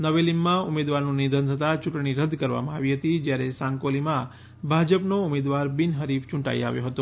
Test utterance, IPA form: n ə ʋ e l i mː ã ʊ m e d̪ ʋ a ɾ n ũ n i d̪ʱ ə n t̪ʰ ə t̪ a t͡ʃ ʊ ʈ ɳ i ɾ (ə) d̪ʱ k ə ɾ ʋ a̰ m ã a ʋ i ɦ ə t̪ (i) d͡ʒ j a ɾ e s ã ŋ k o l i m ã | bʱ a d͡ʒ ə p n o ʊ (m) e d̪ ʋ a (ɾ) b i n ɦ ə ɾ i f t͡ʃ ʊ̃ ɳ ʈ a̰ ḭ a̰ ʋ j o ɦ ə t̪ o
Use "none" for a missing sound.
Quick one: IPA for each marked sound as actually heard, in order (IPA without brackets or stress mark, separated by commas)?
ə, i, m, ɾ